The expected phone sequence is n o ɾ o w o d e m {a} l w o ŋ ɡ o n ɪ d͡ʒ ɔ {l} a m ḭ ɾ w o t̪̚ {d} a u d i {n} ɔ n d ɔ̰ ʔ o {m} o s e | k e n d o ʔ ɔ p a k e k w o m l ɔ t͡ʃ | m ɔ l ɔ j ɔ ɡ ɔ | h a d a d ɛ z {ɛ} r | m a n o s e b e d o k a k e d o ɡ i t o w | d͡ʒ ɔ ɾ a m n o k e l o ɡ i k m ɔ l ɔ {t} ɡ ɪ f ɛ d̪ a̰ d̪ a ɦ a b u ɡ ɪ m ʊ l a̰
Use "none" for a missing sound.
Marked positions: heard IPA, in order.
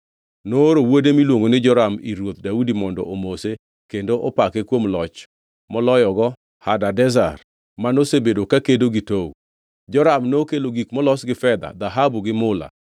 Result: i, ɾ, d, m, m, a, s

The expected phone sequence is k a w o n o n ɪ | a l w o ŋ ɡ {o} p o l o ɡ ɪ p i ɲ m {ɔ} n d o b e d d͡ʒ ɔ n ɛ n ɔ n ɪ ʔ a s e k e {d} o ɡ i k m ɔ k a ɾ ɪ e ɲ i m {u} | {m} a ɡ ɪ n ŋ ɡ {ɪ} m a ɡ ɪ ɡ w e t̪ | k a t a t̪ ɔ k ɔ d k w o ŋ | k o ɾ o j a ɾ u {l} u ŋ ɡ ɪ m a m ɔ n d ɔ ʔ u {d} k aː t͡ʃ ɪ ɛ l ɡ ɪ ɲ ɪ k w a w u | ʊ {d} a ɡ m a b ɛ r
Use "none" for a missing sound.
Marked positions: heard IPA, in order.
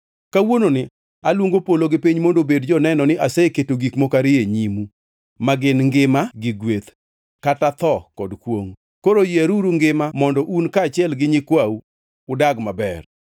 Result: o, o, t, u, m, ɪ, ɾ, n, d

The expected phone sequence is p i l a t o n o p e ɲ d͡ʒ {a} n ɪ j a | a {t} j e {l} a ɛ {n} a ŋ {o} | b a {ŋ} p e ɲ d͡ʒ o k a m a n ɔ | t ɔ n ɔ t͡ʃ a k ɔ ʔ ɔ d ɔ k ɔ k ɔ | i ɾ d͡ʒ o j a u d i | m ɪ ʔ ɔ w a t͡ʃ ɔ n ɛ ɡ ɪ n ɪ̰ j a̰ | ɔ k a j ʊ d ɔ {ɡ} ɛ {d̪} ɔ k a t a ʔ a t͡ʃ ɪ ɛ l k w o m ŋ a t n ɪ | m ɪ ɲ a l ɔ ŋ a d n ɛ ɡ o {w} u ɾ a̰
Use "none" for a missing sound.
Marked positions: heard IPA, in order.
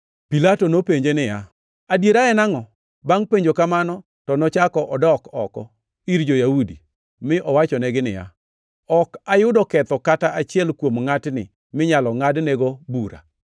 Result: e, d, ɾ, n, ɔ, ŋ, k, t̪, b

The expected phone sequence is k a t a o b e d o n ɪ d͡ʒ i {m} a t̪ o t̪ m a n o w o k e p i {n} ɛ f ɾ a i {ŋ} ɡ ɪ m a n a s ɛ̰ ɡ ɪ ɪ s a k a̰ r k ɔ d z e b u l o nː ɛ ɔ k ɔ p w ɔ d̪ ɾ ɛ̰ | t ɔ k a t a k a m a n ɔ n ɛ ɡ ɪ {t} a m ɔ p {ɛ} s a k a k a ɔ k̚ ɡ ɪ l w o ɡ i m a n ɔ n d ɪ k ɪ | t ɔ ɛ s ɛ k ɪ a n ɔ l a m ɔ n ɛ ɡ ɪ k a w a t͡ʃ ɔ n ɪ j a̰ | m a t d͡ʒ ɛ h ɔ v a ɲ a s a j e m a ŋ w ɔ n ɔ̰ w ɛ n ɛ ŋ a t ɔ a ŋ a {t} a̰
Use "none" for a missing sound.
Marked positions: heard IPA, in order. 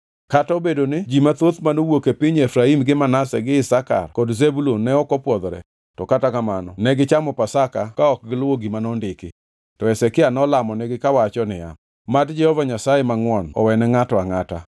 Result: m, ɲ, m, t͡ʃ, a, t

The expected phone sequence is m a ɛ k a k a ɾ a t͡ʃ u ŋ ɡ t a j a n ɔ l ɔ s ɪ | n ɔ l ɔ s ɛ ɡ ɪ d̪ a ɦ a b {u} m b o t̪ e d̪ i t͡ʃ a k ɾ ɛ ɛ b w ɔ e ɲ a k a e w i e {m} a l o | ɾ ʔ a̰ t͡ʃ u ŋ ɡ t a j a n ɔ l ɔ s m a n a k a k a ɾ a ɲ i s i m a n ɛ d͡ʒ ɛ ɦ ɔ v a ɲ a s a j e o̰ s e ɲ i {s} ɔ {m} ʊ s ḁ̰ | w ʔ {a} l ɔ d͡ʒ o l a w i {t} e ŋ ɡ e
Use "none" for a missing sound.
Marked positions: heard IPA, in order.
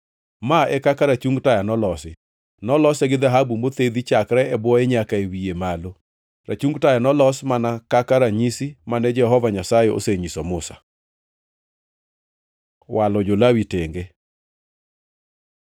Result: u, m, s, m, a, t

